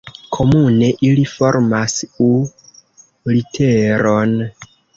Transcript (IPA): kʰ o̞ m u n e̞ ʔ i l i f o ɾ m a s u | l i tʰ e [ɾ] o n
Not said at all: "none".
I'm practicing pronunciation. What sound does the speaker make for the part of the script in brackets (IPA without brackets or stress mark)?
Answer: ɾ